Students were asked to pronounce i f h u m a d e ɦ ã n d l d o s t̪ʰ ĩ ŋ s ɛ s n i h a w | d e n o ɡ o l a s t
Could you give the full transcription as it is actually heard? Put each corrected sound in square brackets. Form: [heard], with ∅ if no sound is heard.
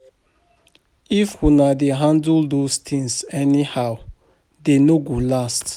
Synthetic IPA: i f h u [n] a d e ɦ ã n d l d o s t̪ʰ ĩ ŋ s ɛ [∅] n i h a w | d e n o ɡ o l a s t